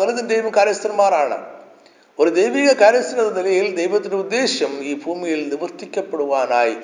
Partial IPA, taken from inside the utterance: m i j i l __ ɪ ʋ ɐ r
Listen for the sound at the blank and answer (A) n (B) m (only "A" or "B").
A